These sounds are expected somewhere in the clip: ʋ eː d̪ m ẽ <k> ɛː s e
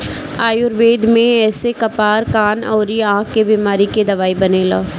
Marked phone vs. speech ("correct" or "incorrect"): incorrect